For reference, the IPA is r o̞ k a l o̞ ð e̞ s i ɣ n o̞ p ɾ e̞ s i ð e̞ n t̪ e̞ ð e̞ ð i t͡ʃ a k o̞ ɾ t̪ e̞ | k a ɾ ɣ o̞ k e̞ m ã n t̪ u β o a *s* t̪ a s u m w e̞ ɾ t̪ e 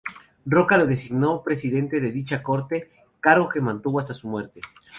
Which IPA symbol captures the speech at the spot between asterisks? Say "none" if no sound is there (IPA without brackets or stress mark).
s